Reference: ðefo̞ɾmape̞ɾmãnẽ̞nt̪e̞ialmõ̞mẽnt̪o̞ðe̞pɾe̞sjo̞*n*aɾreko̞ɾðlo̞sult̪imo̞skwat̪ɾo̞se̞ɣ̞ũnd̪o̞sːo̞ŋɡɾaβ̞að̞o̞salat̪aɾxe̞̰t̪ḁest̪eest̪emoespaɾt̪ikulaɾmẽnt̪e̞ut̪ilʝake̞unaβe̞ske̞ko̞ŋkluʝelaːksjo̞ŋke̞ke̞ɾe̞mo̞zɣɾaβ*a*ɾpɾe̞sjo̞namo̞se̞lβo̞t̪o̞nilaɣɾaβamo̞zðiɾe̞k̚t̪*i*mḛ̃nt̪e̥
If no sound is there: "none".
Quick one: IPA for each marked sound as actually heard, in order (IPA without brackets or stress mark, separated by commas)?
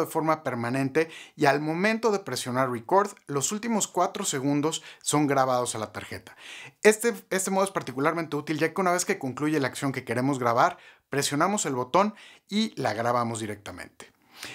n, a, a